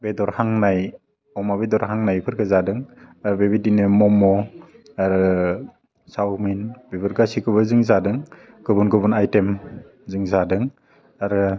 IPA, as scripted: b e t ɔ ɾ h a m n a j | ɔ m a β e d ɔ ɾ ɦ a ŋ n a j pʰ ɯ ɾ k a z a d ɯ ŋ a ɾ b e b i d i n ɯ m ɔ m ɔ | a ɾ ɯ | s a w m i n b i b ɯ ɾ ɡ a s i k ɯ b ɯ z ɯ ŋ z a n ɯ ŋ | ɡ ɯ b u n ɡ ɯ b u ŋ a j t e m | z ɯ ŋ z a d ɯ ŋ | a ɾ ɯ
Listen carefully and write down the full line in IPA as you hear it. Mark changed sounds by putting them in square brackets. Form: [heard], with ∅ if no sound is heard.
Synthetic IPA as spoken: b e [d] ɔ ɾ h a [ŋ] n a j | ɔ m a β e d ɔ ɾ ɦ a ŋ n a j pʰ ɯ ɾ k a z a d ɯ ŋ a ɾ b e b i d i n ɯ m ɔ m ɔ | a ɾ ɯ | s a w m i n b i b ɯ ɾ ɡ a s i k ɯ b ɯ z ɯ ŋ z a [d] ɯ ŋ | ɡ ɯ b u n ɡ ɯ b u [n] a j t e m | z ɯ ŋ z a d ɯ ŋ | a ɾ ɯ